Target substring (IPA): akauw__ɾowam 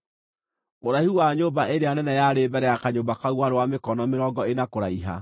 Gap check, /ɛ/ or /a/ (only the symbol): a